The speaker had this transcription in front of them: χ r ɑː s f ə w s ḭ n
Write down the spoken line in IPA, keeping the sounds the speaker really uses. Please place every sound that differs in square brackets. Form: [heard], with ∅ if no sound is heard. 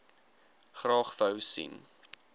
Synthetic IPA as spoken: χ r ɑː [χ] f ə w s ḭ n